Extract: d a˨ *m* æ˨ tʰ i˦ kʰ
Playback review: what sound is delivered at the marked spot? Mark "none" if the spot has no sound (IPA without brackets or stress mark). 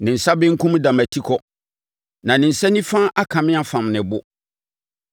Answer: m